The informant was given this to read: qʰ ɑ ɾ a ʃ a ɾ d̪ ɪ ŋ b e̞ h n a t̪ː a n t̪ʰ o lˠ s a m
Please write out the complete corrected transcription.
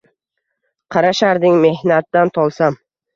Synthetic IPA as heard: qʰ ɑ ɾ a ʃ a ɾ d̪ ɪ ŋ m e̞ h n a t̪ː a n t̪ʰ ɒ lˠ s a m